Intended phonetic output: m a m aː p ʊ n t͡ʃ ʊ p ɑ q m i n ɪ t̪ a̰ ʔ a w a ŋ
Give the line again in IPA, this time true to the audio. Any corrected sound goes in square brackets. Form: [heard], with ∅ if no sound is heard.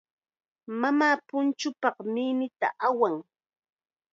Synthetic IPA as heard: m a m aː p ʊ n t͡ʃ ʊ p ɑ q m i n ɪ t̪ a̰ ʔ a w a ŋ